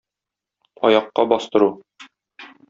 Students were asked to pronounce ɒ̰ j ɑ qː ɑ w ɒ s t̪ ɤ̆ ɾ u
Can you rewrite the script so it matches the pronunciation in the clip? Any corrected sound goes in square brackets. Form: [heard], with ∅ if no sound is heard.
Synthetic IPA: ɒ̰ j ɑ qː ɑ [b] ɒ s t̪ ɤ̆ ɾ u